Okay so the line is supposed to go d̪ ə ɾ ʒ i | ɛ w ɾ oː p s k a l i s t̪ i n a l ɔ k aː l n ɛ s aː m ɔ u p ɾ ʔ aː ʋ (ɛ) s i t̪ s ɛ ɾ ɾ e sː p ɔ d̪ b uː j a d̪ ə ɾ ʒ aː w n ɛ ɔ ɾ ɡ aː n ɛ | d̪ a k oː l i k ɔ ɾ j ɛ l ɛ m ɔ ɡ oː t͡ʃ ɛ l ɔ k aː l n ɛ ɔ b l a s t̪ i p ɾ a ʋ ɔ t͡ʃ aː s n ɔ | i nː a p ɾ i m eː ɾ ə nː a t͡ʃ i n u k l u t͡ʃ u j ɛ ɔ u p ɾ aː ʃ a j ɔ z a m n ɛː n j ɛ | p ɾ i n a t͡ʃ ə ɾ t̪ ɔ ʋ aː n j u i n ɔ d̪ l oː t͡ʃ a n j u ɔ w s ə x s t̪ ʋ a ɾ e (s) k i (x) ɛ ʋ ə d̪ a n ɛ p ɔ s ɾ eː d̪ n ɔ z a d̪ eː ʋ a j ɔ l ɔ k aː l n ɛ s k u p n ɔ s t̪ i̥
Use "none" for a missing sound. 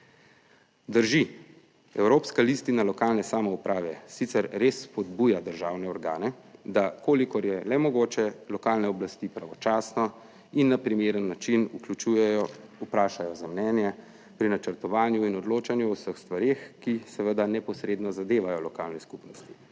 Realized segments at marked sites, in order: ɛ, x, s

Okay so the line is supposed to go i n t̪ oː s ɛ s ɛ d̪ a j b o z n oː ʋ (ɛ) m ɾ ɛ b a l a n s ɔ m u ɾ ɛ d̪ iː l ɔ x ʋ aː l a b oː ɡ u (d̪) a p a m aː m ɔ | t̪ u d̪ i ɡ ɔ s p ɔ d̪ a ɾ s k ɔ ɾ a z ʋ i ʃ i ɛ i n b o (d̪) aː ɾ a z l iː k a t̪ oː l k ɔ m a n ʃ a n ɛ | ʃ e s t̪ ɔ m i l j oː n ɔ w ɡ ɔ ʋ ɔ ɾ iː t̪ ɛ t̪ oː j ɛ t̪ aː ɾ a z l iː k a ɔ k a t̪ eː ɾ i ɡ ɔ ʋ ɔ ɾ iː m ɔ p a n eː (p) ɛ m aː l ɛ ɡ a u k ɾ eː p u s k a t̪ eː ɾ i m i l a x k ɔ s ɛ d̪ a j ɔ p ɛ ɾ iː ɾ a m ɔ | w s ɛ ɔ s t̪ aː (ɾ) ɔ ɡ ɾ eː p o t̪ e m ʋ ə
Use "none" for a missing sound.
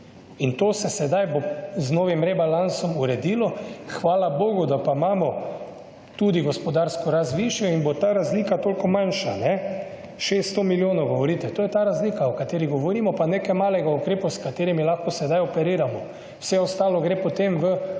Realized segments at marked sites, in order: i, d̪, t̪, k, l

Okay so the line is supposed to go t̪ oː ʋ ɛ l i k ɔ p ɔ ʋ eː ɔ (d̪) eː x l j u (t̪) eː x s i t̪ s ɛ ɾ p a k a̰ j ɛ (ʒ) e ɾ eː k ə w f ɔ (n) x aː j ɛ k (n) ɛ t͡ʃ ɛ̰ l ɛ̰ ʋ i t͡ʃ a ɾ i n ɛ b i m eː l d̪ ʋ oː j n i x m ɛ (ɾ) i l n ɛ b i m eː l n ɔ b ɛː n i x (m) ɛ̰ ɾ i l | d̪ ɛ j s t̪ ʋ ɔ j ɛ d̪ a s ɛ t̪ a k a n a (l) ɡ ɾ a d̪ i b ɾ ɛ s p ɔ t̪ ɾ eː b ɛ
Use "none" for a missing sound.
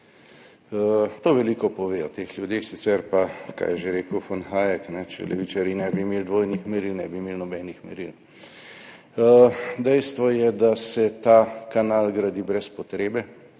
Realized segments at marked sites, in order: t̪, d̪, ʒ, n, n, ɾ, m, l

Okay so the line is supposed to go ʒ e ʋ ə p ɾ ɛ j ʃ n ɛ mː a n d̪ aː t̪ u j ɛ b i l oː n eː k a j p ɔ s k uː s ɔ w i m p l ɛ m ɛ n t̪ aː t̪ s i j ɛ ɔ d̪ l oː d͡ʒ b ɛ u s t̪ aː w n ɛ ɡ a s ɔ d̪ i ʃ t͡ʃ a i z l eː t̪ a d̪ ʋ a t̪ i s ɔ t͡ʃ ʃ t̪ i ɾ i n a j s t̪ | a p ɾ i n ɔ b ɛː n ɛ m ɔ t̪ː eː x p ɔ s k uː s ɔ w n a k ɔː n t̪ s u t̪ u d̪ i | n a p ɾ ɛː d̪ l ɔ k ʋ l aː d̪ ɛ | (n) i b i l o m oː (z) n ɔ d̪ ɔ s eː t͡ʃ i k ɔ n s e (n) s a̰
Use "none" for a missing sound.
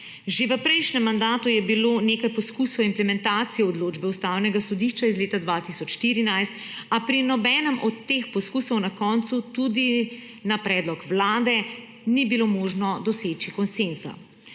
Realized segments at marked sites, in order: n, ʒ, n

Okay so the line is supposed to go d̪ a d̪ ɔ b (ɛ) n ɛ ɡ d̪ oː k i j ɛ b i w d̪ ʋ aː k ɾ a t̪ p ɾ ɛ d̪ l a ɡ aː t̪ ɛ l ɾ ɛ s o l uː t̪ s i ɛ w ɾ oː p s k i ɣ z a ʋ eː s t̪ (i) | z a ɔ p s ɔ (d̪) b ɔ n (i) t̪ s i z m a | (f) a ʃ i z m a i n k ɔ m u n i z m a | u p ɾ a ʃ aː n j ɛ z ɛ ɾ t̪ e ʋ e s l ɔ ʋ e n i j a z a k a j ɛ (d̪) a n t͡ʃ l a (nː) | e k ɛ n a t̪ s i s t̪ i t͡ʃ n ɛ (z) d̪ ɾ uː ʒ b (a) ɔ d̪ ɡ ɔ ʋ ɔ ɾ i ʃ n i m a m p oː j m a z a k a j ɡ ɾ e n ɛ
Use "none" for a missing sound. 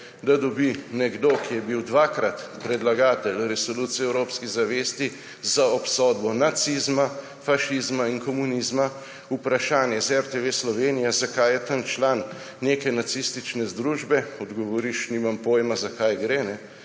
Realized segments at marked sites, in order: i, i, d̪, a, f, t̪, nː, z, ɛ

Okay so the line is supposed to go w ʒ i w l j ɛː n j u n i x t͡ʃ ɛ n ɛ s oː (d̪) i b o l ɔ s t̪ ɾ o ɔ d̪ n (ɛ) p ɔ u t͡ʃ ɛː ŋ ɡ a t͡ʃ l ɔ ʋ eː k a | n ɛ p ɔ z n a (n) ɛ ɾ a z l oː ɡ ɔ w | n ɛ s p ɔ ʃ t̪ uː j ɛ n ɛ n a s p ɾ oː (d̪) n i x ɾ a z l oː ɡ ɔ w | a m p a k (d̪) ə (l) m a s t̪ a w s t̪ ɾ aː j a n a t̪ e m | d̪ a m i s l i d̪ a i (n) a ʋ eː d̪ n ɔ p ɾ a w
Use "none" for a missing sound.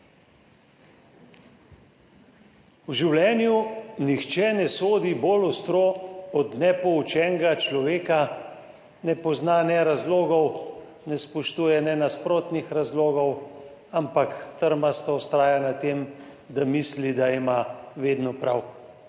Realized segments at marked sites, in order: d̪, ɛ, n, t̪, t̪, ɾ, m

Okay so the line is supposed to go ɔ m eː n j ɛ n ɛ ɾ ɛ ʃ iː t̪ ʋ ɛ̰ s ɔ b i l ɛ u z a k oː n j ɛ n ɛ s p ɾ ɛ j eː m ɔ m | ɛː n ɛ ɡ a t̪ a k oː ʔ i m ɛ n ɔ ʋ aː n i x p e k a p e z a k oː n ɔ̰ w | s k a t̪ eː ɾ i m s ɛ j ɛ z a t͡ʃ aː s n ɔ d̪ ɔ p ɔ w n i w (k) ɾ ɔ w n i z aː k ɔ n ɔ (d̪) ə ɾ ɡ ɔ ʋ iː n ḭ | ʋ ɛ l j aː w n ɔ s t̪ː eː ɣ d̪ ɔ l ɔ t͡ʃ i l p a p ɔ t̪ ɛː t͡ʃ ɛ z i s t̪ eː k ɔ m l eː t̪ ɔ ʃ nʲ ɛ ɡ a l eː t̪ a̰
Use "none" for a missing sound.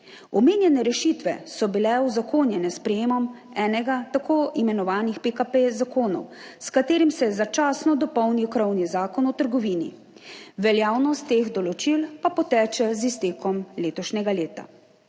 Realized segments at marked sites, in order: k, t̪

